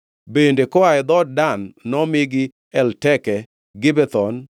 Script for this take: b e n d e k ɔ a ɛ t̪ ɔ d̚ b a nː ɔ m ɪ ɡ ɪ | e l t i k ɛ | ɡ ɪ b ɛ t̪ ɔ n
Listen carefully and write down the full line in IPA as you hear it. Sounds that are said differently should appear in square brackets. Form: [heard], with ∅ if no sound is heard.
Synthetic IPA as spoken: b e n d e k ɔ a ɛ [d̪] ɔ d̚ [d] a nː ɔ m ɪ ɡ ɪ | [ɛ] l t [ɛ] k ɛ | ɡ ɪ b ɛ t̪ ɔ n